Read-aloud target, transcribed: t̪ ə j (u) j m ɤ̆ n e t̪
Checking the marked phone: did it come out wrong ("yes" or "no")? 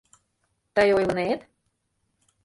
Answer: yes